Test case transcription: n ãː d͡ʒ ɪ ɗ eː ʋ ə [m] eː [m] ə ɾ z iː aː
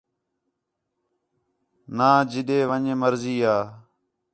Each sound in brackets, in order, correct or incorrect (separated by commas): incorrect, correct